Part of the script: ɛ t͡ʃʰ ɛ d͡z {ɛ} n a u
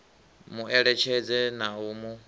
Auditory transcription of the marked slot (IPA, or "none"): ɛ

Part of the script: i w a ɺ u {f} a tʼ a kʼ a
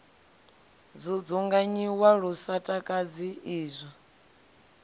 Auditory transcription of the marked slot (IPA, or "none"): s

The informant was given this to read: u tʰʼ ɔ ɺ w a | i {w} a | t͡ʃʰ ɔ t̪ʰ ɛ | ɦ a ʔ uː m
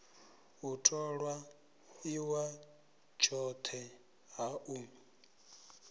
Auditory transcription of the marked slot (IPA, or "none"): w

